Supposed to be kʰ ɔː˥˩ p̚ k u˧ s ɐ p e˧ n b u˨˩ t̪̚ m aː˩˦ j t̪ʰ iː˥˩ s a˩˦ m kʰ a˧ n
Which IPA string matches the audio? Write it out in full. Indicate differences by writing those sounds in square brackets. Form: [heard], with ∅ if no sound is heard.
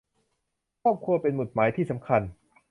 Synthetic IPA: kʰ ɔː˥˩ p̚ [kʰ] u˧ [∅] ɐ p e˧ n [m] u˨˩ t̪̚ m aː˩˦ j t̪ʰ iː˥˩ s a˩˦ m kʰ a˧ n